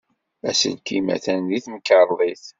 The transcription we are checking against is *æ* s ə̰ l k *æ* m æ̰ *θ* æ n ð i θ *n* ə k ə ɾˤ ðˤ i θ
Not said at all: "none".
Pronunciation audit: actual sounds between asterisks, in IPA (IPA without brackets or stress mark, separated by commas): æ, i, θ, m